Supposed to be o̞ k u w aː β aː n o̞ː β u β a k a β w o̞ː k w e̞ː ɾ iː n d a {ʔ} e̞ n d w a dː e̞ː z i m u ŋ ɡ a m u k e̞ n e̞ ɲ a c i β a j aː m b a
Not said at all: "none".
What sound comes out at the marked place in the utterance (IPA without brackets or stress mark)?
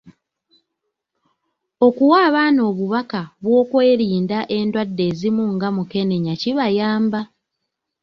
ʔ